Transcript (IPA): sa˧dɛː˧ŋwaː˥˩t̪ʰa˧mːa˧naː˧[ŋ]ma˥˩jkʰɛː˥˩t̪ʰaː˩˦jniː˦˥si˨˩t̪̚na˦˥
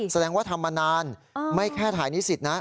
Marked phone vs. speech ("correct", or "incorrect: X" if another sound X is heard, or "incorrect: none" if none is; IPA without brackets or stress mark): incorrect: n